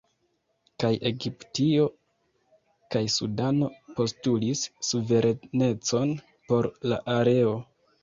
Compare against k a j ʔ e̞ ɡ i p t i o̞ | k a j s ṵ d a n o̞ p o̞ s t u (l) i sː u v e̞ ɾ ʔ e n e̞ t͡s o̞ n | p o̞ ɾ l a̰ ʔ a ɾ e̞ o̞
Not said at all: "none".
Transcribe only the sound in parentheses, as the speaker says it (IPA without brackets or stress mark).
l